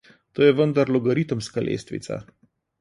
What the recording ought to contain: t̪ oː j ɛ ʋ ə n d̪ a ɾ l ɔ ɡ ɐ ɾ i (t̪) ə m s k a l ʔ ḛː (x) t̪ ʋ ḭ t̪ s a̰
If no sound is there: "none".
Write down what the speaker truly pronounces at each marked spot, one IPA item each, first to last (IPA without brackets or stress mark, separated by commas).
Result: t̪, s